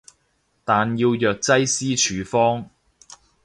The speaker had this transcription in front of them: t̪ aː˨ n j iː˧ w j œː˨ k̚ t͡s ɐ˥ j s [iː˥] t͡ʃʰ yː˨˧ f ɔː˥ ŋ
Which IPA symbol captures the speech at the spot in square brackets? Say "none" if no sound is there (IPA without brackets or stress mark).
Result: iː˥